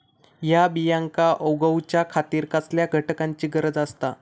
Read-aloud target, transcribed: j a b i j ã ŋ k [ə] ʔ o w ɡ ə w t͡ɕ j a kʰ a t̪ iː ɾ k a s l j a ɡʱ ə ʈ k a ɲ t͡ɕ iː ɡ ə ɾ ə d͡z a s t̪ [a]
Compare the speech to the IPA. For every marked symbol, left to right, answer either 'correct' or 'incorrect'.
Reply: incorrect: a, correct

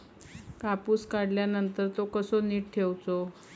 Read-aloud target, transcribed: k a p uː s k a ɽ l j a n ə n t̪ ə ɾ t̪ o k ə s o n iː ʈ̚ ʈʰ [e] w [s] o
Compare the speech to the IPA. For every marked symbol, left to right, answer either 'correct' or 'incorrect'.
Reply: correct, incorrect: t͡s

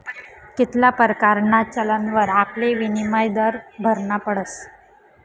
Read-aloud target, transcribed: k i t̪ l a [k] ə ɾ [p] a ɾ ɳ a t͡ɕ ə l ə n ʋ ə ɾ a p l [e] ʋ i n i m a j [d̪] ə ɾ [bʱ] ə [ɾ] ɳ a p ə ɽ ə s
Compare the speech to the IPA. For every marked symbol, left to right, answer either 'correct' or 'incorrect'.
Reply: incorrect: p, incorrect: k, correct, correct, correct, correct

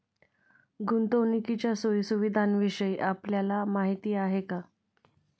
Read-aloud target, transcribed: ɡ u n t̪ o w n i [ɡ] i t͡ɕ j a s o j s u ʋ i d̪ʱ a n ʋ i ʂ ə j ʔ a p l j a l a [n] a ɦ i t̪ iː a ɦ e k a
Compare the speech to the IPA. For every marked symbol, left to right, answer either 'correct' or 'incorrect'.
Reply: incorrect: k, incorrect: m

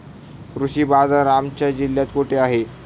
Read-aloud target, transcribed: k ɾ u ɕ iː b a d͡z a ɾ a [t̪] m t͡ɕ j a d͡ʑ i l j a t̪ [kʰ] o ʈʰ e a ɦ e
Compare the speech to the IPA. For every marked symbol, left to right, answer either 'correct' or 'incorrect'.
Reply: incorrect: none, incorrect: k

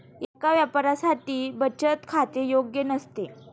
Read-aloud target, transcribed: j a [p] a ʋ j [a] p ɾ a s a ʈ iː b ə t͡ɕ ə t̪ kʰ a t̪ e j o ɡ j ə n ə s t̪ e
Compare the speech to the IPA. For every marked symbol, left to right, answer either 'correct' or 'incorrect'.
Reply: incorrect: k, correct

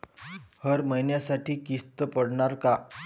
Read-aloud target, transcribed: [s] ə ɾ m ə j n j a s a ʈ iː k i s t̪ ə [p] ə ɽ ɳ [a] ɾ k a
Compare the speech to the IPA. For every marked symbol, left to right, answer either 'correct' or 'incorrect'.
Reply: incorrect: h, correct, correct

